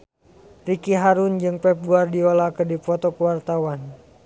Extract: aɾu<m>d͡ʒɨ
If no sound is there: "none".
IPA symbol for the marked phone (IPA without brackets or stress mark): n